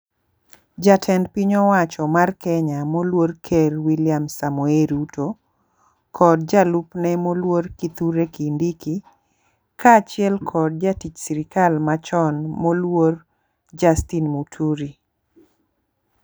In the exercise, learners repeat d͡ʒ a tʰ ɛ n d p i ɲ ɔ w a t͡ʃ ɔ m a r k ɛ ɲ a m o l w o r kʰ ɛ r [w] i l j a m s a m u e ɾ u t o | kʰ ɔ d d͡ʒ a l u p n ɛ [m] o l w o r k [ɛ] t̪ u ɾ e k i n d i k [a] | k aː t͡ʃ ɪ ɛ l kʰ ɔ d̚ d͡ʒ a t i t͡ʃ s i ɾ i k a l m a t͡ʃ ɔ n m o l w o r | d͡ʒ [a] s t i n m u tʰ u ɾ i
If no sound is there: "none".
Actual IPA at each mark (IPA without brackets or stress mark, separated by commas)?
w, m, i, i, a